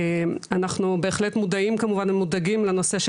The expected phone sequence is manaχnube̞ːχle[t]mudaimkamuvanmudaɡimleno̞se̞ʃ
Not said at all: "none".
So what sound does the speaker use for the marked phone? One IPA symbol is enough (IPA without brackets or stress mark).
t